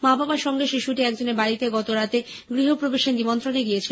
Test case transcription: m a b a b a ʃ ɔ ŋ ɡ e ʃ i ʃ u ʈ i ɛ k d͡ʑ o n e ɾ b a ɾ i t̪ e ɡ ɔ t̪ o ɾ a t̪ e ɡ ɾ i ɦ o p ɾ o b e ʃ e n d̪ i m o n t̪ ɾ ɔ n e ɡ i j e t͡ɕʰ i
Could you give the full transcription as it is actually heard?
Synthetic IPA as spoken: m a b a b a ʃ ɔ ŋ ɡ e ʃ i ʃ u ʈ i ɛ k d͡ʑ o n e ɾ b a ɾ i t̪ e ɡ ɔ t̪ o ɾ a t̪ e ɡ ɾ i ɦ o p ɾ o b e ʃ e n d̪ i m o n t̪ ɾ o n e ɡ i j e t͡ɕʰ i